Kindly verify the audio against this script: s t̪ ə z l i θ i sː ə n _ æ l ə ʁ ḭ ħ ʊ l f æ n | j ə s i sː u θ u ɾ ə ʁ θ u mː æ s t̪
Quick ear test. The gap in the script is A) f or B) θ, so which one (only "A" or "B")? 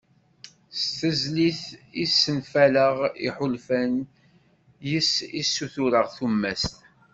A